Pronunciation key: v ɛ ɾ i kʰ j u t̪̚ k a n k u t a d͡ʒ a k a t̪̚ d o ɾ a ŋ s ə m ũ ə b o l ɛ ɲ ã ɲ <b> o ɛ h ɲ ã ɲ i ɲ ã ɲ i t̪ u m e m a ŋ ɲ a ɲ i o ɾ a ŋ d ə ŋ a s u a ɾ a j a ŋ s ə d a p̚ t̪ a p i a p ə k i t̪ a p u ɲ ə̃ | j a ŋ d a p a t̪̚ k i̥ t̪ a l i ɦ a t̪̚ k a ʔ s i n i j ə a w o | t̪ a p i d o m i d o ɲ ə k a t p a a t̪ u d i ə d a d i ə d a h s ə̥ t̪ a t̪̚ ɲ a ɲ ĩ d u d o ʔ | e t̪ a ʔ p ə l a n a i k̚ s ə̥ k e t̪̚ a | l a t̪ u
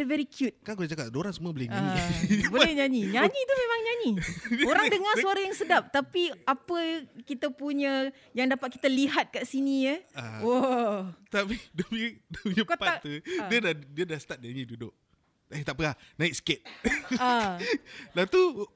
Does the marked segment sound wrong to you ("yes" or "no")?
no